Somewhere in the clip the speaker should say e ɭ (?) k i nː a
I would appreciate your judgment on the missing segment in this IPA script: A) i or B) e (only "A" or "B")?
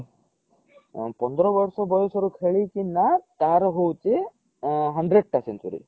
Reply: A